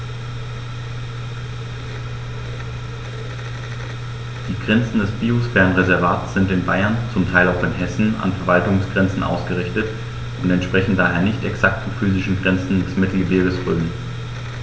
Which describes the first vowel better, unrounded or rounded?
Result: unrounded